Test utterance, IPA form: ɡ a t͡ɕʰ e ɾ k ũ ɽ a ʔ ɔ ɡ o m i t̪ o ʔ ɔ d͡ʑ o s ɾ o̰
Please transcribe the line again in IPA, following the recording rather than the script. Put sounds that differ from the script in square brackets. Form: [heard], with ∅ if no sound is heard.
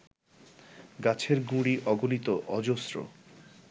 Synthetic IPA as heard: ɡ a t͡ɕʰ e ɾ [ɡ] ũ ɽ [i] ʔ ɔ ɡ o [n] i t̪ o ʔ ɔ d͡ʑ o s ɾ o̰